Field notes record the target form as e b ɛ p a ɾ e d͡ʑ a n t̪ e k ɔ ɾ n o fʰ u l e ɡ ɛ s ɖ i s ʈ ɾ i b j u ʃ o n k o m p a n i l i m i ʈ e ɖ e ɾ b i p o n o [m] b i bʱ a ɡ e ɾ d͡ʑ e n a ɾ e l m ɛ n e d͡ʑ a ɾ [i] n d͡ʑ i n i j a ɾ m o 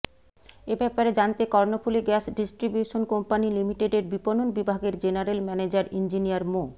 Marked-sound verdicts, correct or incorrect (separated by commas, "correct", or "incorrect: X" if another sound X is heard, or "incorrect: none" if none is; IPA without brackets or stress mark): incorrect: n, correct